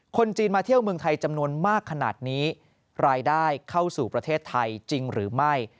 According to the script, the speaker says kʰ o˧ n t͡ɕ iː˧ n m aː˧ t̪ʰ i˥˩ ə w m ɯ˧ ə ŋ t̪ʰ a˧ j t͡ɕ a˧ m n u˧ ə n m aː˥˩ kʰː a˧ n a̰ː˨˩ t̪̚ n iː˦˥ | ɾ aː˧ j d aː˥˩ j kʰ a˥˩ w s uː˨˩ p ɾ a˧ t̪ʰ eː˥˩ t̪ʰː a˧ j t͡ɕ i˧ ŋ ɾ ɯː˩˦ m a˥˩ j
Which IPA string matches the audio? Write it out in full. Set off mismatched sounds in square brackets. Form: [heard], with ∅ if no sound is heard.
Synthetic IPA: kʰ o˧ n t͡ɕ iː˧ n m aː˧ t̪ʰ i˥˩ ə w m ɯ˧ ə ŋ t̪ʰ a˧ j t͡ɕ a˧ m n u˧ ə n m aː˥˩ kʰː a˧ n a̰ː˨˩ t̪̚ n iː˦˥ | ɾ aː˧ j d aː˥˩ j kʰ a˥˩ w s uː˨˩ p ɾ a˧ t̪ʰ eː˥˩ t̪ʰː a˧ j t͡ɕ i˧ ŋ ɾ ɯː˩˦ m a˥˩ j